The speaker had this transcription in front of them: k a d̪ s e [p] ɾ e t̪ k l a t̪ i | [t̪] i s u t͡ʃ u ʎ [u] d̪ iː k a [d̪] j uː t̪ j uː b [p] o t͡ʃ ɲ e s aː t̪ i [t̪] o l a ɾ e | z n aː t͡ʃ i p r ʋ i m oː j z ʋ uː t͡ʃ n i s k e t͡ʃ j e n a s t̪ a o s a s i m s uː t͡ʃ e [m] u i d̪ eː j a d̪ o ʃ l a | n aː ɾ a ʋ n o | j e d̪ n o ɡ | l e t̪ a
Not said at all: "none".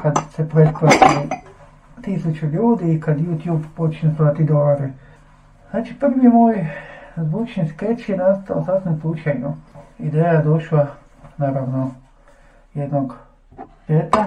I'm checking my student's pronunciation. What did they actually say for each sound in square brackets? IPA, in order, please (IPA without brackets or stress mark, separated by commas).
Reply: p, t̪, uː, d̪, p, d̪, ɲ